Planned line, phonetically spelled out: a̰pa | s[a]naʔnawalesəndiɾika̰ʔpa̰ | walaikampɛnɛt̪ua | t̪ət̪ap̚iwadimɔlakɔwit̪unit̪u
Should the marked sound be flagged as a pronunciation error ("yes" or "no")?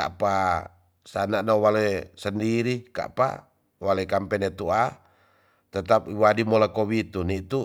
no